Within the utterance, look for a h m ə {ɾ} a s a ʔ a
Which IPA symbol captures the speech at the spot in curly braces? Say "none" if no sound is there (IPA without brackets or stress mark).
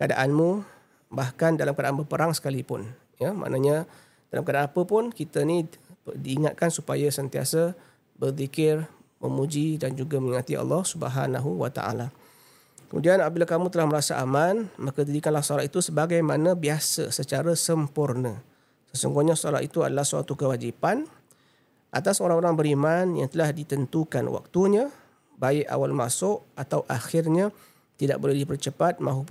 ɾ